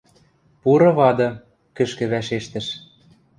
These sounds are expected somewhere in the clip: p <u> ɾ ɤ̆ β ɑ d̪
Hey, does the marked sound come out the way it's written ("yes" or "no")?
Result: yes